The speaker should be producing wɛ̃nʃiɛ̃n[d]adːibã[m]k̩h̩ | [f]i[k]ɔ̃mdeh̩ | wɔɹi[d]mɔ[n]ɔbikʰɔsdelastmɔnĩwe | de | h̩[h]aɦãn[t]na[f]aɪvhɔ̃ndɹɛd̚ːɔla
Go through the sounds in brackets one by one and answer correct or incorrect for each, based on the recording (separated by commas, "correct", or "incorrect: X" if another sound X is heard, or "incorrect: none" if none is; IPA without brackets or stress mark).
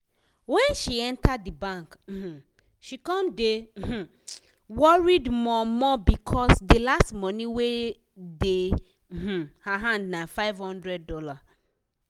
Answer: incorrect: t, incorrect: ŋ, incorrect: ʃ, correct, correct, incorrect: m, correct, incorrect: d, correct